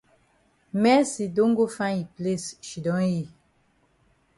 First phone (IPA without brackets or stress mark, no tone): m